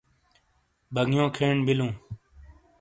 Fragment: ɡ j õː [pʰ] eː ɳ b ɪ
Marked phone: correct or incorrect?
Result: incorrect